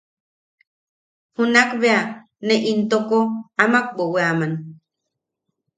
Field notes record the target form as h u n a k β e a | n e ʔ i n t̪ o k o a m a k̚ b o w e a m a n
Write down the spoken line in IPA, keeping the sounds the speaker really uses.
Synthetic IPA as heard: h u n a k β e a | n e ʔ i n t̪ o k o a m a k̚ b o w e a m a n